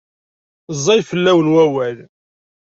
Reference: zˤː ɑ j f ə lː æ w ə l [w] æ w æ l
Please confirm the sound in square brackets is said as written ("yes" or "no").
yes